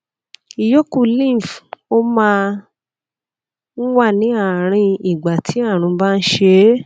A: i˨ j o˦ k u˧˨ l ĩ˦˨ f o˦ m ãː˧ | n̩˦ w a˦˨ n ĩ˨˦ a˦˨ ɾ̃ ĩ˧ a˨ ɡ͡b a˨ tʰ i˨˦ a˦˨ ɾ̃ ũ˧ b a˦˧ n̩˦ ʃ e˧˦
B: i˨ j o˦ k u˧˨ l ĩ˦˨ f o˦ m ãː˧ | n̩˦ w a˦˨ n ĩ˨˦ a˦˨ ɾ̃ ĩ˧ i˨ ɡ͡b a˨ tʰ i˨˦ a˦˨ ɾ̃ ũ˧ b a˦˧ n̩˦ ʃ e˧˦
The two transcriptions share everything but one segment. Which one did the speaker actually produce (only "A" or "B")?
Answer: B